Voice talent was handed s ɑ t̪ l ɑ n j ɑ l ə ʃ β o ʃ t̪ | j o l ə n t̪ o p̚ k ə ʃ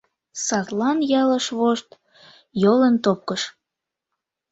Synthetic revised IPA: s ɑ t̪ l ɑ n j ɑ l ə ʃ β o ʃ t̪ | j o l ə n t̪ o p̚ k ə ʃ